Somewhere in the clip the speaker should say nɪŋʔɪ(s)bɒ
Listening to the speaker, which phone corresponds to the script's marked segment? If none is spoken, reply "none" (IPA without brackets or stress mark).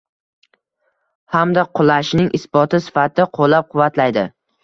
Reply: s